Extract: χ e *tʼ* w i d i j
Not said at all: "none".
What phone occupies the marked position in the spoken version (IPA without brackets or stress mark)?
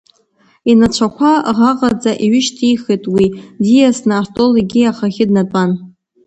tʼ